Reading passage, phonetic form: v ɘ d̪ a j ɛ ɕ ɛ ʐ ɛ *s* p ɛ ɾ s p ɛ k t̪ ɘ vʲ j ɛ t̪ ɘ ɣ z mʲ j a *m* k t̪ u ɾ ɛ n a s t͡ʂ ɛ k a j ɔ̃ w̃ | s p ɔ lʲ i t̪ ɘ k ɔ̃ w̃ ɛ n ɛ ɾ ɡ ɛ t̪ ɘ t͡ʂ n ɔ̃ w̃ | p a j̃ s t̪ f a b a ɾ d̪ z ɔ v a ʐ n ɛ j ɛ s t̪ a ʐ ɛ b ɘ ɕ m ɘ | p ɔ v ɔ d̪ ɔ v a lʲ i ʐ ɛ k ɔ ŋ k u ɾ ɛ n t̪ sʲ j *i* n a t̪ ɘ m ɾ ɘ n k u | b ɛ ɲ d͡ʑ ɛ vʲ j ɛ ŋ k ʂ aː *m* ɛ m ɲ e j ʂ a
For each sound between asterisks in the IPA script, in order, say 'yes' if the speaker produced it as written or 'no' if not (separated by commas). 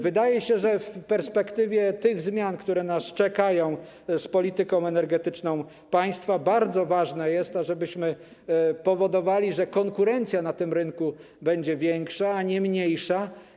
no, no, no, no